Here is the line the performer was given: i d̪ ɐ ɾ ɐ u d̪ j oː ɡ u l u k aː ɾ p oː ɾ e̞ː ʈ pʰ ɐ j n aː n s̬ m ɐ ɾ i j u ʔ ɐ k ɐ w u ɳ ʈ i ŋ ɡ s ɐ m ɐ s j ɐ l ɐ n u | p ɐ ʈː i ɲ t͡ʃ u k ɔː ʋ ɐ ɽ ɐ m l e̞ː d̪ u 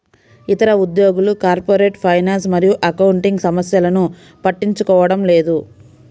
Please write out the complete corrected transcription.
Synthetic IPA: i t̪ ɐ ɾ ɐ u d̪ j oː ɡ u l u k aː ɾ p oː ɾ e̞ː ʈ pʰ ɐ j n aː n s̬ m ɐ ɾ i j u ʔ ɐ k ɐ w u ɳ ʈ i ŋ ɡ s ɐ m ɐ s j ɐ l ɐ n u | p ɐ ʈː i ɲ t͡ʃ u k ɔː ʋ ɐ ɽ ɐ m l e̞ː d̪ u